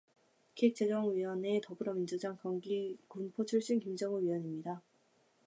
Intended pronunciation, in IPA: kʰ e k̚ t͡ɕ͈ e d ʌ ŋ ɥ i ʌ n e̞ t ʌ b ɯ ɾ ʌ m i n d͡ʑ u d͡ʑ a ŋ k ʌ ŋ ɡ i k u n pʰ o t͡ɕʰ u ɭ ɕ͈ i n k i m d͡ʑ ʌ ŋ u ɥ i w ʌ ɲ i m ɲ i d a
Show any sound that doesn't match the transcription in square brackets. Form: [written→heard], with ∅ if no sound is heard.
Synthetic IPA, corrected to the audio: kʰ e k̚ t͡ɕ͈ e [d→d͡ʑ] ʌ ŋ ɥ i ʌ n e̞ t ʌ b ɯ ɾ ʌ m i n d͡ʑ u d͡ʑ a ŋ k ʌ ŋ ɡ i k u n pʰ o t͡ɕʰ u ɭ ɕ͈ i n k i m d͡ʑ ʌ ŋ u ɥ i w ʌ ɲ i m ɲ i d a